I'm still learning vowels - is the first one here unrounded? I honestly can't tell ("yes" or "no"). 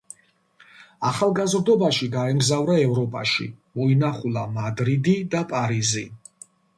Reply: yes